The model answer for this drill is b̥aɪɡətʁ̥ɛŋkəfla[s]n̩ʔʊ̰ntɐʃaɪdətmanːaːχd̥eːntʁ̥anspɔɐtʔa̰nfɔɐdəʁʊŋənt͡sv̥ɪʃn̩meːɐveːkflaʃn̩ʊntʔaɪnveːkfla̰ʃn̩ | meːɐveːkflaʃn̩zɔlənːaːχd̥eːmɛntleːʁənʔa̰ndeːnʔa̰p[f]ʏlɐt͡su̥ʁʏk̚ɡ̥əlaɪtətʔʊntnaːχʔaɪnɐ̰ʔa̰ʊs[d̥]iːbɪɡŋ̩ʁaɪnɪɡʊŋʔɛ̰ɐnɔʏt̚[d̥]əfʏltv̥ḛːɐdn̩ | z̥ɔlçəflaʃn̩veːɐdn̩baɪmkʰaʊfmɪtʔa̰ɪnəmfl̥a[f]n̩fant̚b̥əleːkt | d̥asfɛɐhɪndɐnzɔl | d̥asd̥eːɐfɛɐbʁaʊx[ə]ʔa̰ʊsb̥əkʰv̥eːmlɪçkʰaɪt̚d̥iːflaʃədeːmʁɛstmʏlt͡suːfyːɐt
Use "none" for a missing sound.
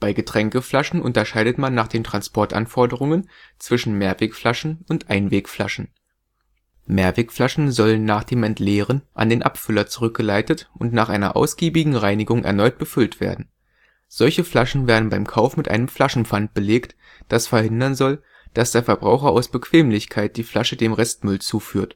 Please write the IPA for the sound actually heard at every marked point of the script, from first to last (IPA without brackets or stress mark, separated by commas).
ʃ, f, ɡ̥, b̥, ʃ, ɐ